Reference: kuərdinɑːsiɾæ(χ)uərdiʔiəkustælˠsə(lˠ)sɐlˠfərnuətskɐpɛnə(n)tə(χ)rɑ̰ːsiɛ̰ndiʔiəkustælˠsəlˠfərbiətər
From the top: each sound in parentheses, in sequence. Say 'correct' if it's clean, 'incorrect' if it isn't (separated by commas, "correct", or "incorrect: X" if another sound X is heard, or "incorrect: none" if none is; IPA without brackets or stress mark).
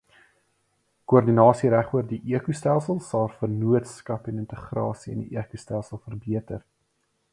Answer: correct, correct, correct, correct